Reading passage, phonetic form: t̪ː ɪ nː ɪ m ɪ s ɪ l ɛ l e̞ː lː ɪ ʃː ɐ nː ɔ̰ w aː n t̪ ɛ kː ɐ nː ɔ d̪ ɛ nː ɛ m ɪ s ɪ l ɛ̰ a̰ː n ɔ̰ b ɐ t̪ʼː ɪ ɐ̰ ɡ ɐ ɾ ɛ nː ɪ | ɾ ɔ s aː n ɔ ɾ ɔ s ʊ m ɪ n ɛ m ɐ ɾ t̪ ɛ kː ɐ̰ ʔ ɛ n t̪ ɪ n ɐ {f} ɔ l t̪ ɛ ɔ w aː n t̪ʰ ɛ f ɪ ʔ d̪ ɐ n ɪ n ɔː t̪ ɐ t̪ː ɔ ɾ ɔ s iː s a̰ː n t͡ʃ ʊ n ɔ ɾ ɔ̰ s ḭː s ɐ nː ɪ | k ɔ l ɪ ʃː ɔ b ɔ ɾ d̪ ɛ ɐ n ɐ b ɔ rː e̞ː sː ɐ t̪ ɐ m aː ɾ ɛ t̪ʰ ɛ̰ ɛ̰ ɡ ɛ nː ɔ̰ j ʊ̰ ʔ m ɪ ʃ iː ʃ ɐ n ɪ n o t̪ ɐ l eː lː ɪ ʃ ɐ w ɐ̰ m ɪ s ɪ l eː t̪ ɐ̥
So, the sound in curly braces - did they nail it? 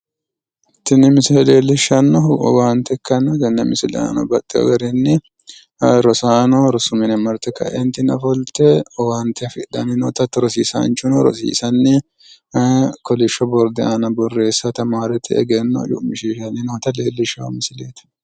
yes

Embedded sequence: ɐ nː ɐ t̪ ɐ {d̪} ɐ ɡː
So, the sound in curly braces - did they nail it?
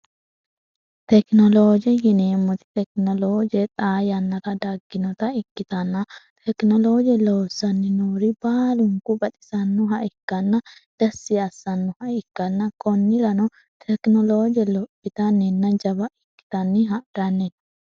yes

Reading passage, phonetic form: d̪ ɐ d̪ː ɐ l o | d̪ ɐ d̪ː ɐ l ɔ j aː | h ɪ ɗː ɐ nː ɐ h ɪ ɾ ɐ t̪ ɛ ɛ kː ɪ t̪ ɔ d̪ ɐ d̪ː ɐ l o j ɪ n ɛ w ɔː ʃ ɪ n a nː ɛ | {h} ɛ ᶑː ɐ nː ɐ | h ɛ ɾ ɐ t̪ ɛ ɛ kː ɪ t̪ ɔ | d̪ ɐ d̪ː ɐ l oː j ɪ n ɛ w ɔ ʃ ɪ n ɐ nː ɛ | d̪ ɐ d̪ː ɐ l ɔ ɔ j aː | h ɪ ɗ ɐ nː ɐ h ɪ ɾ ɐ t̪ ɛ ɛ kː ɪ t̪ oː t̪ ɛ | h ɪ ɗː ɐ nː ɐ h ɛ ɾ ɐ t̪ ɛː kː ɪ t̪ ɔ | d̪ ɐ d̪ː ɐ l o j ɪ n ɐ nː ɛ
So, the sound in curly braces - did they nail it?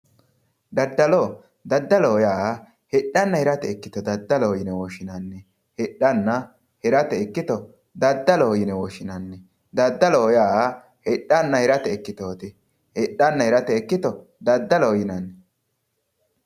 yes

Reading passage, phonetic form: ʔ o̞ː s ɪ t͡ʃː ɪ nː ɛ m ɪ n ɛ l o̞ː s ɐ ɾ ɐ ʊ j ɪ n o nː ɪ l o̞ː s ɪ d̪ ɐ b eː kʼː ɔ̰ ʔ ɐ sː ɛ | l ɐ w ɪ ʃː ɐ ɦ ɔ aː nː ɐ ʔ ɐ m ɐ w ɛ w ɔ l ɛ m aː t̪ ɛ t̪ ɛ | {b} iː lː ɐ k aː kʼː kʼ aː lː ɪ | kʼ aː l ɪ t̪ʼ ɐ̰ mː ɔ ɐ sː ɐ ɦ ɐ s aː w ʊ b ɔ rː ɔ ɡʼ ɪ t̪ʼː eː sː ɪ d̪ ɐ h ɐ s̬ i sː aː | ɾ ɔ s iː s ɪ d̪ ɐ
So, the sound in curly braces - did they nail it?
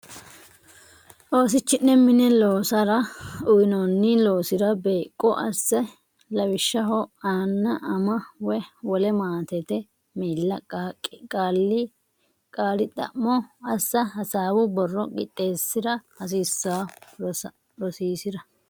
no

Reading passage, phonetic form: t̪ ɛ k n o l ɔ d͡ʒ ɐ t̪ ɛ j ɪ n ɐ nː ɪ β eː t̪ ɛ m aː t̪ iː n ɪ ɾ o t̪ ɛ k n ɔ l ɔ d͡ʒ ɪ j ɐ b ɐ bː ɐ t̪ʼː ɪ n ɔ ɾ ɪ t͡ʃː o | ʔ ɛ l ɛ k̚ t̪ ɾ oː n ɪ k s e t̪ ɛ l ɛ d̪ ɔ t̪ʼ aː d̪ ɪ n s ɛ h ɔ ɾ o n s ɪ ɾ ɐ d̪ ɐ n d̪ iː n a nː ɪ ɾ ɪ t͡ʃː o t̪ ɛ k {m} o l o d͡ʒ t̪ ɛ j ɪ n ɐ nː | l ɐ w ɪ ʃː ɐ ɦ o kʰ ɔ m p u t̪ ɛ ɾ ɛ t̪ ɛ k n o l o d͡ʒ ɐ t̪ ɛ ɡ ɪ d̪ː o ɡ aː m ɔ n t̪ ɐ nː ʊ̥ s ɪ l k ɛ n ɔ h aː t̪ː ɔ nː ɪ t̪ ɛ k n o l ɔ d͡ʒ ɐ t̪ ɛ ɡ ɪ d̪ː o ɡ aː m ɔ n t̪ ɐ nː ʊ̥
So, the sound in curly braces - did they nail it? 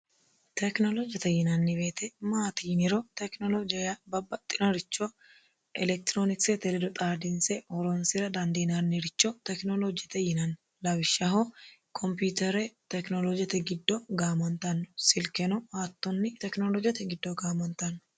no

